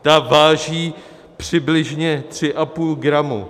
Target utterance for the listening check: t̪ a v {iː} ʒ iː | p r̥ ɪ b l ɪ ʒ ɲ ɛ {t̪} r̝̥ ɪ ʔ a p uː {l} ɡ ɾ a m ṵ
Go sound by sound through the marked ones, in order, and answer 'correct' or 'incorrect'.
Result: incorrect: aː, correct, correct

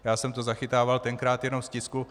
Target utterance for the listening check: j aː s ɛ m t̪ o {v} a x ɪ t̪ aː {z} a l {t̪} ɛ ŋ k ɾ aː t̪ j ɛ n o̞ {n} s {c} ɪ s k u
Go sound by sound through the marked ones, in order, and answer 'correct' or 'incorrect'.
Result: incorrect: z, incorrect: v, correct, incorrect: m, correct

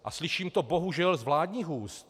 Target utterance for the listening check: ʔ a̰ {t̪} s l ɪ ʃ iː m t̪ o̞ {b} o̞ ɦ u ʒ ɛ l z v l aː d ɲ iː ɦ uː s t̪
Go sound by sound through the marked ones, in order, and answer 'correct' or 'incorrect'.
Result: incorrect: none, correct

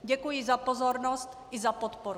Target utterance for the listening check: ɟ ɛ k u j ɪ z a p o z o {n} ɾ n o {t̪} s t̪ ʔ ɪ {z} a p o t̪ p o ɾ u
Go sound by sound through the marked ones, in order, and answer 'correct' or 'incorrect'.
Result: incorrect: none, incorrect: none, correct

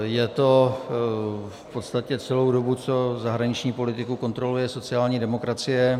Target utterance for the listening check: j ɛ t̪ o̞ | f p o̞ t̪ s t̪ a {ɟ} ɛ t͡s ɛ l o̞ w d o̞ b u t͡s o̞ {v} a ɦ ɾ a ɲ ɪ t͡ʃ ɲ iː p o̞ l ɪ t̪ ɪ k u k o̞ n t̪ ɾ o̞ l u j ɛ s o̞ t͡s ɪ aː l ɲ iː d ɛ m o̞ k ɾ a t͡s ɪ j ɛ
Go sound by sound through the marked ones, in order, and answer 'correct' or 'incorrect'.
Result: incorrect: c, incorrect: z

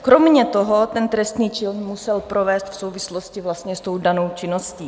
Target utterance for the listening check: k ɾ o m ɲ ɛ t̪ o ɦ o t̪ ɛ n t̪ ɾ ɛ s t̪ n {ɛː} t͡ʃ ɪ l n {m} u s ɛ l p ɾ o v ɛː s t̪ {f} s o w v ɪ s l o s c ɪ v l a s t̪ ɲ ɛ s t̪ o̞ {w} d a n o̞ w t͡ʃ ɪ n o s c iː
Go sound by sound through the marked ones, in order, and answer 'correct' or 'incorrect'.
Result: incorrect: iː, correct, correct, correct

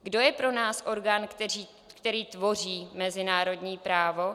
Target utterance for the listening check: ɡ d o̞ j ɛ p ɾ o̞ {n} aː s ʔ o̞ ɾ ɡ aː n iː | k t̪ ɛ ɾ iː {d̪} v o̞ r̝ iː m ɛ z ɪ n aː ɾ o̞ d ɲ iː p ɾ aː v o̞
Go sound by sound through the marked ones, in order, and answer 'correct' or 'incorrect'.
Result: correct, incorrect: t̪

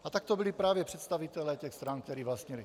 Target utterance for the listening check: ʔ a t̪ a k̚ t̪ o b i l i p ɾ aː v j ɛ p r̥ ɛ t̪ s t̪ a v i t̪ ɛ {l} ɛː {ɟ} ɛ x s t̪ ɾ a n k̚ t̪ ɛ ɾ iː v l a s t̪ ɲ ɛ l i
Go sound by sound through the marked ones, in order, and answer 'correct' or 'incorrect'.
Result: correct, incorrect: c

